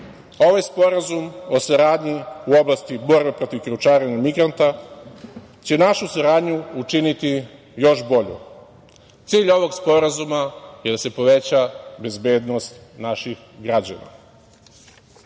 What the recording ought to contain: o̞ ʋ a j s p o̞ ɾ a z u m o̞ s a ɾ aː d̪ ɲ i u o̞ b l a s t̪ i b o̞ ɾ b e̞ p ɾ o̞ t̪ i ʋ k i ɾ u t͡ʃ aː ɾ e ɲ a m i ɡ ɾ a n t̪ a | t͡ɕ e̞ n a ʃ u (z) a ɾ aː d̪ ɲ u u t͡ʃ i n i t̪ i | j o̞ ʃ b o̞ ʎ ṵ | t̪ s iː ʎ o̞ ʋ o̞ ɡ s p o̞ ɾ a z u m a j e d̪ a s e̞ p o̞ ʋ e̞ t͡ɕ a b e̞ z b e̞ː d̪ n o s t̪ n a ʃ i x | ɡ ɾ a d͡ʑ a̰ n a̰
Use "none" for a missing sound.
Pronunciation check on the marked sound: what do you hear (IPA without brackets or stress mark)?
s